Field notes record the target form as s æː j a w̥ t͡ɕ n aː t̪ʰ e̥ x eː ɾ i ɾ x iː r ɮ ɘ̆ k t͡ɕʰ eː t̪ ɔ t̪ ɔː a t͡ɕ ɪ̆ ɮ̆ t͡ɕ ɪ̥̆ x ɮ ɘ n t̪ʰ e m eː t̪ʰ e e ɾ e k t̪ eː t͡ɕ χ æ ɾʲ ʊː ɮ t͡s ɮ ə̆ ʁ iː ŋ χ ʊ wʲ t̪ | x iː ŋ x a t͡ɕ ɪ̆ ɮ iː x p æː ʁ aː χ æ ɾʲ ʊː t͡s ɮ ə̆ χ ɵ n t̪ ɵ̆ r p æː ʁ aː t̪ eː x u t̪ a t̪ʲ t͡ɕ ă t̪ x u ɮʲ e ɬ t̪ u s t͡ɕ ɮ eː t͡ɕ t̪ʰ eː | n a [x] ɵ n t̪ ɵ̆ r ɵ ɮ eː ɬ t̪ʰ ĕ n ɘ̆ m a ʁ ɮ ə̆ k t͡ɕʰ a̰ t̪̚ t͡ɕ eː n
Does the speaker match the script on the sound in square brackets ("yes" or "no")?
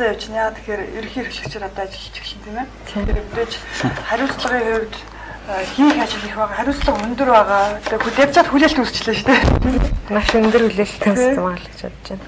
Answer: no